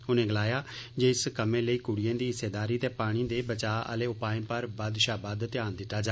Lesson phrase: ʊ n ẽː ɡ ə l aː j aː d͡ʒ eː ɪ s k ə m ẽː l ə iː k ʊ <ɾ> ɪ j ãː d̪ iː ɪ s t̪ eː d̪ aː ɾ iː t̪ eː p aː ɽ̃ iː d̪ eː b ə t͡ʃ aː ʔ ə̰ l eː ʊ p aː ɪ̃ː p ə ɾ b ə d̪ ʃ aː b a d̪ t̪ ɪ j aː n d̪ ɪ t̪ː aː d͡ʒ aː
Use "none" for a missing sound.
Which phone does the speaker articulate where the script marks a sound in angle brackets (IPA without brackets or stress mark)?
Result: ɽ